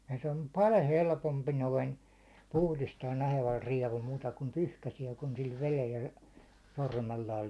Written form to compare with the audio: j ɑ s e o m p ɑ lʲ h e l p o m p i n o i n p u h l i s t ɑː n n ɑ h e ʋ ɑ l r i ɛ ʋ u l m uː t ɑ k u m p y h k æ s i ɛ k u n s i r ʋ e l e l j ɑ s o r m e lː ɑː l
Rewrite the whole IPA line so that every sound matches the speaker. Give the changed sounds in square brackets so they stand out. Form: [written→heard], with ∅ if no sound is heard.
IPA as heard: j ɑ s e o m p ɑ lʲ h e l p o m p i n o i n p u h l i s t ɑː n n ɑ h e ʋ ɑ l r i ɛ ʋ u l m uː t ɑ k u m p y h k æ s i ɛ k u n s i [r→l] ʋ e l e l j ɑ s o r m e lː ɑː l